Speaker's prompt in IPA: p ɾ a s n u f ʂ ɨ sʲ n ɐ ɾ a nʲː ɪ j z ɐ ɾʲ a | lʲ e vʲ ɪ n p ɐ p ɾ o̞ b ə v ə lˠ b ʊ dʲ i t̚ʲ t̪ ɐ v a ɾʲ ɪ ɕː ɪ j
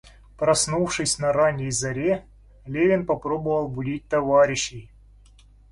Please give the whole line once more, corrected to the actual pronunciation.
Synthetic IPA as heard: p ɾ ɐ s n u f ʂ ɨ sʲ n ɐ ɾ a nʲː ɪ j z ɐ ɾʲ e | lʲ e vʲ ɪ n p ɐ p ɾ o̞ b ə v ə lˠ b ʊ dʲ i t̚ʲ t̪ ɐ v a ɾʲ ɪ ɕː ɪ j